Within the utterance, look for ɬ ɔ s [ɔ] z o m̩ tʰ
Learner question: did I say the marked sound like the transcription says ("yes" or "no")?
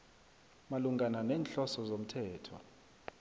yes